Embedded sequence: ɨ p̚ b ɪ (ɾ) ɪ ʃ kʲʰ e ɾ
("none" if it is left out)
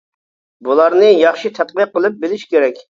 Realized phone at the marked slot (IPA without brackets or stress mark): l